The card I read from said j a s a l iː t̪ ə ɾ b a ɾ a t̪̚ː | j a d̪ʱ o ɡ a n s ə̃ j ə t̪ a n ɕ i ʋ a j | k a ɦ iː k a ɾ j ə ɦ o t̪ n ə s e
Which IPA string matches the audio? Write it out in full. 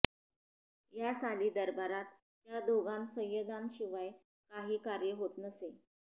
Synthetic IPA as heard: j a s a l iː d̪ ə ɾ b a ɾ a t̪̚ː | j a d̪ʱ o ɡ a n s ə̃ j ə d̪ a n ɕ i ʋ a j | k a ɦ iː k a ɾ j ə ɦ o t̪ n ə s e